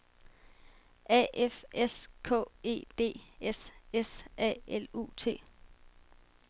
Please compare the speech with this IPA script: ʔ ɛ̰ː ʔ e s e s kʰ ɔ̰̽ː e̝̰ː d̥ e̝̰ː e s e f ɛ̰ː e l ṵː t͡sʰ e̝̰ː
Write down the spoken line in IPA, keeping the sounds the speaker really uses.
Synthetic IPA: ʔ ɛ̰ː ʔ e f e s kʰ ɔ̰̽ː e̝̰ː d̥ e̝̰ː e s e s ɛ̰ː e l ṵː t͡sʰ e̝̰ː